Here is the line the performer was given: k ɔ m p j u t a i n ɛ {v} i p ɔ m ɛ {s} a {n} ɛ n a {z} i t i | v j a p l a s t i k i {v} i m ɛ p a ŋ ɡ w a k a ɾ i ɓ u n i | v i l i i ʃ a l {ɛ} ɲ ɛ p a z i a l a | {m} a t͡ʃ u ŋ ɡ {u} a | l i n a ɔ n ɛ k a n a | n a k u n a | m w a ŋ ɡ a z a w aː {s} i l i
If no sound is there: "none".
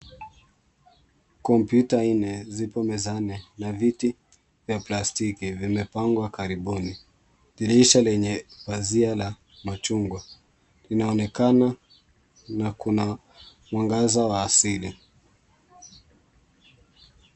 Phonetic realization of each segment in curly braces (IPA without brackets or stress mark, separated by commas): z, z, n, v, v, ɛ, m, w, s